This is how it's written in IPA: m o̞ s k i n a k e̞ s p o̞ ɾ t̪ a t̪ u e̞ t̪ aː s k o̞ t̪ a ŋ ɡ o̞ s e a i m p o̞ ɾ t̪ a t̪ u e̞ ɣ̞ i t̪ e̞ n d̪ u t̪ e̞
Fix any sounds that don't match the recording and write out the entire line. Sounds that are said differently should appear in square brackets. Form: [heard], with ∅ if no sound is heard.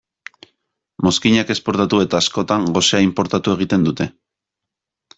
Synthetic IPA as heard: m o̞ s k i [ɲ] a k e̞ s p o̞ ɾ t̪ a t̪ u e̞ t̪ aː s k o̞ t̪ a ŋ ɡ o̞ s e a i m p o̞ ɾ t̪ a t̪ u e̞ ɣ̞ i t̪ e̞ n d̪ u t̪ e̞